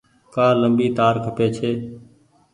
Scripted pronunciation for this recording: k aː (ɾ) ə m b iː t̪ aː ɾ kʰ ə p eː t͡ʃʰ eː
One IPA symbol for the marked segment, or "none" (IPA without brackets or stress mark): l